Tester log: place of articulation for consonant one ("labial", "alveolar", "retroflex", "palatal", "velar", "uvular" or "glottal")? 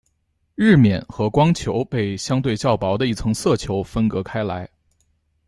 retroflex